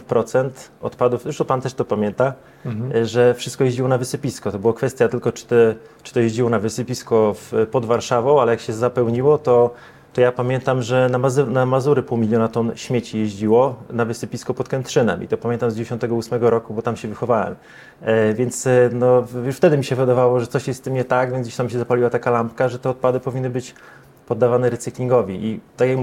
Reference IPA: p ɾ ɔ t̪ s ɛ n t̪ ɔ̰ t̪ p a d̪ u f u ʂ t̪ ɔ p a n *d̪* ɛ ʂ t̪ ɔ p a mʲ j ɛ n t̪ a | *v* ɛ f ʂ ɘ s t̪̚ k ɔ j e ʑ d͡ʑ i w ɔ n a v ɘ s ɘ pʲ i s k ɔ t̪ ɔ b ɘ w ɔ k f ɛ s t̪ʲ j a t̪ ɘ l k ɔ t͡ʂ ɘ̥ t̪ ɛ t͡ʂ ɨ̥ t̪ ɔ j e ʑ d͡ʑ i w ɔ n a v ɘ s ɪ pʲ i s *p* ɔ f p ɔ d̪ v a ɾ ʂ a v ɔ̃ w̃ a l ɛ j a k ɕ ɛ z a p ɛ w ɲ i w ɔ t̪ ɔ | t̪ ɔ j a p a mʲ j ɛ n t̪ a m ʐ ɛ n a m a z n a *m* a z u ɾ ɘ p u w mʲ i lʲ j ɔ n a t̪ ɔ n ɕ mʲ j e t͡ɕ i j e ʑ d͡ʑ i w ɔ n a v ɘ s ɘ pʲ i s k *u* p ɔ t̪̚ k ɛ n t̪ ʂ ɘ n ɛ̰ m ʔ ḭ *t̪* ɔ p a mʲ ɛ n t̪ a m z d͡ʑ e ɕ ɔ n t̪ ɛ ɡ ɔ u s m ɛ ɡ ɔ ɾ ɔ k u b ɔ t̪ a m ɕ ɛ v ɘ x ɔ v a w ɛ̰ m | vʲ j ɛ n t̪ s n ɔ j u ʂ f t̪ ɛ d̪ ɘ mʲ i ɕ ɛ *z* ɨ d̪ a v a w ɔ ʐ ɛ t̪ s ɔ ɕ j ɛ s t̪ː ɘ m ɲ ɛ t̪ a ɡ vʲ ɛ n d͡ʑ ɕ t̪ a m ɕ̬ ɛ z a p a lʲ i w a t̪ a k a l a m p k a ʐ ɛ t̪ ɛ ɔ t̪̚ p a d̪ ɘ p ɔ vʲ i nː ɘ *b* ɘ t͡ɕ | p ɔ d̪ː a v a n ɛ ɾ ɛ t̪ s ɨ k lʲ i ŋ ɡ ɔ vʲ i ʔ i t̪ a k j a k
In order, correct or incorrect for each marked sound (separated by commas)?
incorrect, incorrect, incorrect, correct, incorrect, correct, incorrect, correct